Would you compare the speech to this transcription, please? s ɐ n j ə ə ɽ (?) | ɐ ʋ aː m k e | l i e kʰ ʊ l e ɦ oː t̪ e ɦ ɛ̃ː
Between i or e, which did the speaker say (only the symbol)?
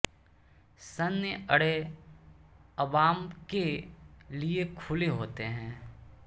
e